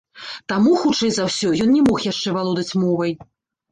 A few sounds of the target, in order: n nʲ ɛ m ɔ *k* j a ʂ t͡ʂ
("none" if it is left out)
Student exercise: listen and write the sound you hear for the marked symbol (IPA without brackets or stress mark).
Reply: x